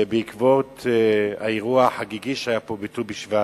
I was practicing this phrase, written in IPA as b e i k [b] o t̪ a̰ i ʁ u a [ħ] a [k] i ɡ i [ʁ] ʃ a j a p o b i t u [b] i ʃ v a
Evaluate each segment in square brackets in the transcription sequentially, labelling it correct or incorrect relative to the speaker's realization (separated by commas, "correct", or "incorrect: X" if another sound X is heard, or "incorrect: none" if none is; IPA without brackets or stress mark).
incorrect: v, correct, incorrect: ɡ, incorrect: none, correct